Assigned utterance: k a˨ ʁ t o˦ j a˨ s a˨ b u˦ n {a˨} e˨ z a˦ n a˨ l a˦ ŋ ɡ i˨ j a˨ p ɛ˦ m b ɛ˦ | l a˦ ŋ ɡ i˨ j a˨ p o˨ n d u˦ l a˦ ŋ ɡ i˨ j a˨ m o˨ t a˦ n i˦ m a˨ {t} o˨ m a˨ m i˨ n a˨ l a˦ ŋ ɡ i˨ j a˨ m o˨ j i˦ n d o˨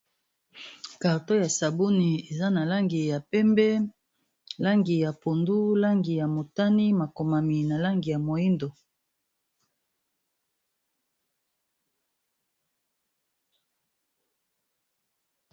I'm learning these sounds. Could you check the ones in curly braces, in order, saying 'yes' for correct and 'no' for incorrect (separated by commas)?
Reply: no, no